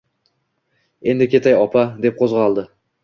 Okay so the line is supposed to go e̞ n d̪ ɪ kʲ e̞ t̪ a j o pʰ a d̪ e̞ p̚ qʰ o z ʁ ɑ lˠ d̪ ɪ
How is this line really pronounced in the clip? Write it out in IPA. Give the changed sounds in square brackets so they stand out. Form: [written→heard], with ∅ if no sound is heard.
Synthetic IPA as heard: e̞ n d̪ ɪ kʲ e̞ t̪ a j [o→ɒ] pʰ a d̪ e̞ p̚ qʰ o z ʁ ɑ lˠ d̪ ɪ